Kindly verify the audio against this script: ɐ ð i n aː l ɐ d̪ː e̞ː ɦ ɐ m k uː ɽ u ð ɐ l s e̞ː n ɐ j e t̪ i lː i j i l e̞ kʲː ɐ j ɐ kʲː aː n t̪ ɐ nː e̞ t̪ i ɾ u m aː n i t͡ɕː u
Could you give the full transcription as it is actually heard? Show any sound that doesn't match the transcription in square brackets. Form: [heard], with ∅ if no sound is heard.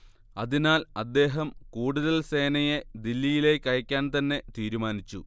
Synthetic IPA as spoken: ɐ ð i n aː l ɐ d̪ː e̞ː ɦ ɐ m k uː ɽ u ð ɐ l s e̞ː n ɐ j e [d̪] i lː i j i l e̞ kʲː ɐ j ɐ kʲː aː n t̪ ɐ nː e̞ t̪ [iː] ɾ u m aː n i t͡ɕː u

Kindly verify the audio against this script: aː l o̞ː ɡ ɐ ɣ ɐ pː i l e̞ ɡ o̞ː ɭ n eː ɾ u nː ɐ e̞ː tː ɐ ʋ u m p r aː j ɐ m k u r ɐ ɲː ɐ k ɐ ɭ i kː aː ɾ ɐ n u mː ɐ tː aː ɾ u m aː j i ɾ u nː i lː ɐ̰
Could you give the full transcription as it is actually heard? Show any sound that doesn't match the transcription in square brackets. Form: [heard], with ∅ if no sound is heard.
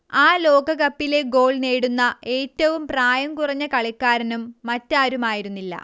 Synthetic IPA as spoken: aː l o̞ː ɡ ɐ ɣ ɐ pː i l e̞ ɡ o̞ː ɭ n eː [ɽ] u nː ɐ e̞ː tː ɐ ʋ u m p r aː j ɐ m k u r ɐ ɲː ɐ k ɐ ɭ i kː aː ɾ ɐ n u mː ɐ tː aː ɾ u m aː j i ɾ u nː i lː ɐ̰

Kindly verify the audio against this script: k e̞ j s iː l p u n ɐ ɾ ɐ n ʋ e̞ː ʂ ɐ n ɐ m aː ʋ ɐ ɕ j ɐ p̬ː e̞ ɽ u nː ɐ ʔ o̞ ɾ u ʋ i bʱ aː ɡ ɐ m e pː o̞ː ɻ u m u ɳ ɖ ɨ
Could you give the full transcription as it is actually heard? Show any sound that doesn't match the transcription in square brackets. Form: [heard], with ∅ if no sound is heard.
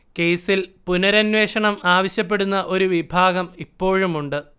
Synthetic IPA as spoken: k e̞ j s [i] l p u n ɐ ɾ ɐ n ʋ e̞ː ʂ ɐ [ɳ] ɐ m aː ʋ ɐ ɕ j ɐ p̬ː e̞ ɽ u nː ɐ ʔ o̞ ɾ u ʋ i bʱ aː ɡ ɐ m [i] pː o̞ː ɻ u m u ɳ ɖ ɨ

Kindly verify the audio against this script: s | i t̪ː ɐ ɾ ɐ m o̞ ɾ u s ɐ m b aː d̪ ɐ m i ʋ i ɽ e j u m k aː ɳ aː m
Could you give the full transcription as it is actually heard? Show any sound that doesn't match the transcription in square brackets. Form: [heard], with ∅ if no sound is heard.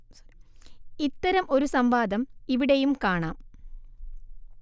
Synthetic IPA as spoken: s | i t̪ː ɐ ɾ ɐ m o̞ ɾ u s ɐ m b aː d̪ ɐ m i ʋ i ɽ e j u m k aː ɳ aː m

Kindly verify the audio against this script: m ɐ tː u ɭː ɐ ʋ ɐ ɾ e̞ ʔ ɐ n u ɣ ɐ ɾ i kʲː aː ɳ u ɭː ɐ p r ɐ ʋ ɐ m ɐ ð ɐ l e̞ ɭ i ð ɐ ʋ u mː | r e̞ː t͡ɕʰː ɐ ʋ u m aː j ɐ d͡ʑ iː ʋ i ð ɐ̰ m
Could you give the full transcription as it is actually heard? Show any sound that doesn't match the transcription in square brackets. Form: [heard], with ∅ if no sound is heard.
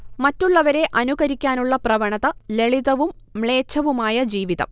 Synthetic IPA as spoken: m ɐ tː u ɭː ɐ ʋ ɐ ɾ e̞ ʔ ɐ n u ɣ ɐ ɾ i kʲː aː [n] u ɭː ɐ p r ɐ ʋ ɐ [ɳ] ɐ ð ɐ l e̞ ɭ i ð ɐ ʋ u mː | [ɭ] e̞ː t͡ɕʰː ɐ ʋ u m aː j ɐ d͡ʑ iː ʋ i ð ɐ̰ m

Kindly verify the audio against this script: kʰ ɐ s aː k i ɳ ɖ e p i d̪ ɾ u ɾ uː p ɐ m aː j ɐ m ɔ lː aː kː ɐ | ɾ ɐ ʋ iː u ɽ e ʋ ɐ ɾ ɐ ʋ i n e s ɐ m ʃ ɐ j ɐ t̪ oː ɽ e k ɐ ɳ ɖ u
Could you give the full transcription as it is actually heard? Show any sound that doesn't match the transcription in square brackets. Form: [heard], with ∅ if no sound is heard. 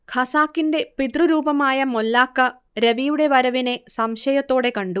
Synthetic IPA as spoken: kʰ ɐ s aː k i ɳ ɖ e p i d̪ ɾ u ɾ uː p ɐ m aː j ɐ m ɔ lː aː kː ɐ | ɾ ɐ ʋ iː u ɽ e ʋ ɐ ɾ ɐ ʋ i n e s ɐ m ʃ ɐ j ɐ t̪ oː ɽ e k ɐ ɳ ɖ u

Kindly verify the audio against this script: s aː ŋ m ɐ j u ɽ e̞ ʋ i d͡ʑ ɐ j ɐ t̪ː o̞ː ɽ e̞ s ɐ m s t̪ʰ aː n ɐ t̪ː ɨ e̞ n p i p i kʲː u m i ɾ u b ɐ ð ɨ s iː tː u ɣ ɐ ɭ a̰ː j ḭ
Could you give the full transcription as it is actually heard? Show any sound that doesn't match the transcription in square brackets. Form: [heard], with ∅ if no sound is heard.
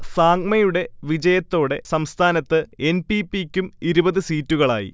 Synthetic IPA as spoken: s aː ŋ m ɐ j u ɽ e̞ ʋ i d͡ʑ ɐ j ɐ t̪ː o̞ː ɽ e̞ s ɐ m s t̪ʰ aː n ɐ t̪ː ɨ e̞ n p i p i kʲː u m i ɾ u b ɐ ð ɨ s iː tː u ɣ ɐ ɭ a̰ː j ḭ

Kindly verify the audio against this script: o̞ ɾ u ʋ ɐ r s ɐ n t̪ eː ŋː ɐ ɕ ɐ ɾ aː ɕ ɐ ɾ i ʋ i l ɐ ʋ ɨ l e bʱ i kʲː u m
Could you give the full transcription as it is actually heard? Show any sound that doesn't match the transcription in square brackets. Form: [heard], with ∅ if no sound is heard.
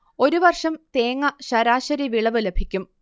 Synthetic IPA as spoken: o̞ ɾ u ʋ ɐ r [ʂ] ɐ [m] t̪ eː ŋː ɐ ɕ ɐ ɾ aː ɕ ɐ ɾ i ʋ i [ɭ] ɐ ʋ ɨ l e bʱ i kʲː u m

